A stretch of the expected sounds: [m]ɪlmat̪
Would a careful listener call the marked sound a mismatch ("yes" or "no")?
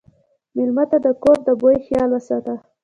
no